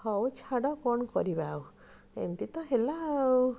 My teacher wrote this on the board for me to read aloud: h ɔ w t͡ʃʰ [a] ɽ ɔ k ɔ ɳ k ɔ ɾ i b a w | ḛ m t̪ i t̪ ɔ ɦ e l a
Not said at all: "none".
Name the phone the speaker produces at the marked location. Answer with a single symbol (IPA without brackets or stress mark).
a